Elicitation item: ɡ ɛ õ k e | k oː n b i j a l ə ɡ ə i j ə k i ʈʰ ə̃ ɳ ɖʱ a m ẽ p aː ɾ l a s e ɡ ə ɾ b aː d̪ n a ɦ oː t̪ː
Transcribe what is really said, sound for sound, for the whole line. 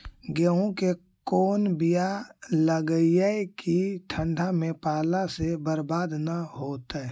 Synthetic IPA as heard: ɡ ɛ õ k e | k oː n b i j a l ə ɡ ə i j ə k i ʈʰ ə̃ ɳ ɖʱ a m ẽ p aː l a s e b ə ɾ b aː d̪ n a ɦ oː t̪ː